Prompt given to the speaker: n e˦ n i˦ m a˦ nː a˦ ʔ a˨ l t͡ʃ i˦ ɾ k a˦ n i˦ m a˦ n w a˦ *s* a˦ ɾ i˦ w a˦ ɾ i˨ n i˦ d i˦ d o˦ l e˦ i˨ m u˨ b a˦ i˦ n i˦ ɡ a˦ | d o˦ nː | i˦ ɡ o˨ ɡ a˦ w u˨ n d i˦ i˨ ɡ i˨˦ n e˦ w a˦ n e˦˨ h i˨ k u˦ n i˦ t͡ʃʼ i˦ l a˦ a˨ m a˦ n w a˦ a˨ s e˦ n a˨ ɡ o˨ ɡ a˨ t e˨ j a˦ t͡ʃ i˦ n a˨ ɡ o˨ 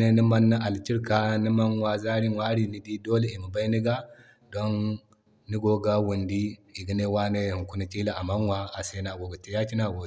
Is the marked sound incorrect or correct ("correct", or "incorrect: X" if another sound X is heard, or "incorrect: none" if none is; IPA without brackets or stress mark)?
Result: incorrect: z